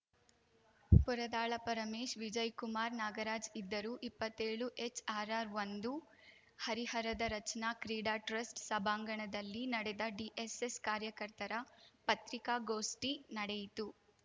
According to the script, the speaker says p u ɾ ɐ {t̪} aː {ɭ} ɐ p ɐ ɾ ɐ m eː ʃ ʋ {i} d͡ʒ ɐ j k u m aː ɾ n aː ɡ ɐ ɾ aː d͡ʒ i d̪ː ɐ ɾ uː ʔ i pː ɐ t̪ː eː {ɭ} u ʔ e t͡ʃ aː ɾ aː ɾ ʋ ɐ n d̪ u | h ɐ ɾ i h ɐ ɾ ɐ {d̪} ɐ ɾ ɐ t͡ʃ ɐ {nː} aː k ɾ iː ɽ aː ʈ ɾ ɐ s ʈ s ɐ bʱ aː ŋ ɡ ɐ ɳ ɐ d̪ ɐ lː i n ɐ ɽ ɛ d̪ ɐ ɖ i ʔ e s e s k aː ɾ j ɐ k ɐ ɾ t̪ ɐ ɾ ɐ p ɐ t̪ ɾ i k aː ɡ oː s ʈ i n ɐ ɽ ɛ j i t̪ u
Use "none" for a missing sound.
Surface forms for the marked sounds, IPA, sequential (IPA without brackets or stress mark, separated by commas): d̪, ɭ, i, ɭ, d̪, n